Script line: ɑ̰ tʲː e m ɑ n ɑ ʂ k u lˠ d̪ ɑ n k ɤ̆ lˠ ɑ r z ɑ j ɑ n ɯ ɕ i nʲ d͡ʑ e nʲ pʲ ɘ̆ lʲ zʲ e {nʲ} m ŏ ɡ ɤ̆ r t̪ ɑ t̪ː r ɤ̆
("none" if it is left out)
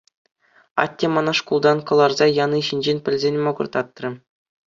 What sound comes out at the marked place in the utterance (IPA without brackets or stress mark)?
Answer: nʲ